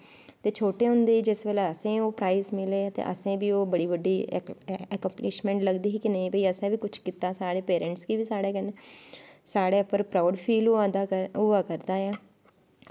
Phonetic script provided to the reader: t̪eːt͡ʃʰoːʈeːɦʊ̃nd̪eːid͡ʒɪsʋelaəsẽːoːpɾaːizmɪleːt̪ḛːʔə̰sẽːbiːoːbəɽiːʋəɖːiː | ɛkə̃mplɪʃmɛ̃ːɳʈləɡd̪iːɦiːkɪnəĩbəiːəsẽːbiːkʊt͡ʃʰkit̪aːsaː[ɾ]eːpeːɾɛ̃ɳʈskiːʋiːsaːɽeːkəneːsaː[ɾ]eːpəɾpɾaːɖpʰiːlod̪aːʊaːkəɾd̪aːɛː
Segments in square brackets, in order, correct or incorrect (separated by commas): incorrect, incorrect